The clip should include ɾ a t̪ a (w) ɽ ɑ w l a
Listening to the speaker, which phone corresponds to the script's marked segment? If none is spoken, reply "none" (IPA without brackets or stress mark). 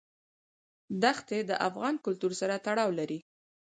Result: none